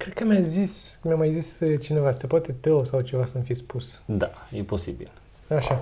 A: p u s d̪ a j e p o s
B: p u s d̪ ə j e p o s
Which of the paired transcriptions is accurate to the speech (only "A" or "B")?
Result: A